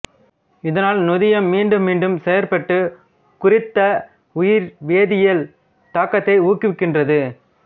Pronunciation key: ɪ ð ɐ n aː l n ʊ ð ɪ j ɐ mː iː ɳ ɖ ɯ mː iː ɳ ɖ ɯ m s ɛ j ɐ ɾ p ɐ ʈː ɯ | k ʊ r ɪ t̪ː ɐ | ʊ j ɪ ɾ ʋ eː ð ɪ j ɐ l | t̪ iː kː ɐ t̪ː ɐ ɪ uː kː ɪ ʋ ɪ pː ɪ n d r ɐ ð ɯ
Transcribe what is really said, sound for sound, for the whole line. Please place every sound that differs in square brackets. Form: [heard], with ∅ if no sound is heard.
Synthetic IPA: ɪ ð ɐ n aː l n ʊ ð ɪ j ɐ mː iː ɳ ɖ ɯ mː iː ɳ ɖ ɯ m s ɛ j ɐ ɾ p ɐ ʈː ɯ | k ʊ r ɪ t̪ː ɐ | ʊ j ɪ ɾ ʋ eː ð ɪ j ɐ l | t̪ [aː] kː ɐ t̪ː ɐ ɪ uː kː ɪ ʋ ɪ [kː] ɪ n d r ɐ ð ɯ